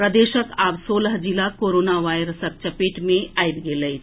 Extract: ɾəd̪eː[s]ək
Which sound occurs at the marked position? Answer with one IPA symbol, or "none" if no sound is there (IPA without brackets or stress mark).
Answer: ʃ